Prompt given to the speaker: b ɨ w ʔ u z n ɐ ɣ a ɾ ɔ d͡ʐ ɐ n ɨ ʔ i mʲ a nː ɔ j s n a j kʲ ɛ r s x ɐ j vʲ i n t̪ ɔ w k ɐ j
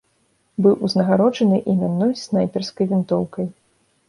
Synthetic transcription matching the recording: b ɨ w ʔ u z n ɐ ɣ a ɾ ɔ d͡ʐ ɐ n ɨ ʔ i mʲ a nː ɔ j s n a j pʲ ɛ r s k ɐ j vʲ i n t̪ ɔ w k ɐ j